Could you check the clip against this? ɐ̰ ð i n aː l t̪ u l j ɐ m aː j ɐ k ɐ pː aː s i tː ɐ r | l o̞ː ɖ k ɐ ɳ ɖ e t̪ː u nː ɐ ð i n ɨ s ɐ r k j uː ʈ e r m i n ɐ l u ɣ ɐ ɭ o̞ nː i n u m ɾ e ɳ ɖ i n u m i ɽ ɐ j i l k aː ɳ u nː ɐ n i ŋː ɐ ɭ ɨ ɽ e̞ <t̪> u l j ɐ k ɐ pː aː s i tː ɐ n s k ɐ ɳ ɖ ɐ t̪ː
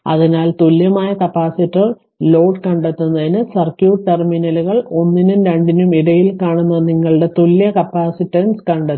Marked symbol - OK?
yes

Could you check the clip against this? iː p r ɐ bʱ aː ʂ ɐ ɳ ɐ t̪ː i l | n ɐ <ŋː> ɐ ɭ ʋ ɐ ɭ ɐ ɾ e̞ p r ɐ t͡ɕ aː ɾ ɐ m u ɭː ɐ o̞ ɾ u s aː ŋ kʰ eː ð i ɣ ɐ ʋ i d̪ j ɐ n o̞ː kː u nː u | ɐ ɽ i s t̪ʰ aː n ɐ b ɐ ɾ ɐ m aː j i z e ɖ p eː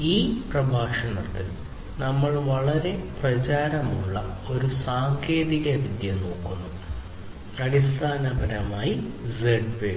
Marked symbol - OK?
no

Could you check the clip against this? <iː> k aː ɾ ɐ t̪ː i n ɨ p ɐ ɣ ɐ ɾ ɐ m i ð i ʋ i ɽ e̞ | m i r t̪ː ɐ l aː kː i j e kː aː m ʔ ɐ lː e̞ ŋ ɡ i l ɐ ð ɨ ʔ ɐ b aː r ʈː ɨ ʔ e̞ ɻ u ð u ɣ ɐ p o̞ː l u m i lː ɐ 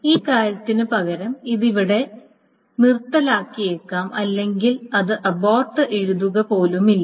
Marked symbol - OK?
yes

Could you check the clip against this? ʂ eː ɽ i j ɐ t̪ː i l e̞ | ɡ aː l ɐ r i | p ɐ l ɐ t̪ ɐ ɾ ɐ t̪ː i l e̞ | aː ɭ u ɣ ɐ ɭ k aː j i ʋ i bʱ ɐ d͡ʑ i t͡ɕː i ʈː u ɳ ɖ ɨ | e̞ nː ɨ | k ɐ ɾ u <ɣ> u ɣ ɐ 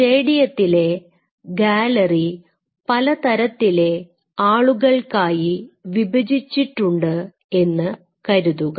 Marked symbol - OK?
no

